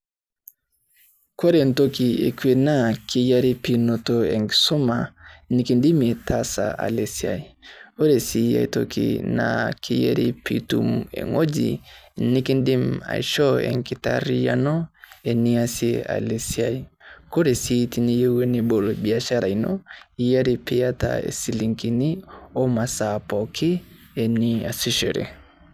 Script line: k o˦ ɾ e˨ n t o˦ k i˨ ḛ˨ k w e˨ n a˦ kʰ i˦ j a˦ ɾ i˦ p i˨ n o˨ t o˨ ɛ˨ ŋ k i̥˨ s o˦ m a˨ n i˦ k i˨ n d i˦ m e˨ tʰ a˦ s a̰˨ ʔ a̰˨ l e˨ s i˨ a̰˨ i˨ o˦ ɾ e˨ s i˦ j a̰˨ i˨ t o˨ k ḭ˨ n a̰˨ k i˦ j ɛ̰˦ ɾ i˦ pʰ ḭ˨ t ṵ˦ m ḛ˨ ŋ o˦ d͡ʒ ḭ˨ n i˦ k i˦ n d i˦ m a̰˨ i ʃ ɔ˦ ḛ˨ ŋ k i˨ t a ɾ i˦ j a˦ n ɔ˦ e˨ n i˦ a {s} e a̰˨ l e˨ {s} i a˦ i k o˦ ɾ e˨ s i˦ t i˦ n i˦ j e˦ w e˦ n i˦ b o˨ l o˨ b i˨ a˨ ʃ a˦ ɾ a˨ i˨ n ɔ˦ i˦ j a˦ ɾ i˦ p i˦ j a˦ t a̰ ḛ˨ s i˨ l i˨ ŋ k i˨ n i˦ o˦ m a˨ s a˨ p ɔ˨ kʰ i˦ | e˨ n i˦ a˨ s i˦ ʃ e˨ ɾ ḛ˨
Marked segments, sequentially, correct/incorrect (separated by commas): correct, correct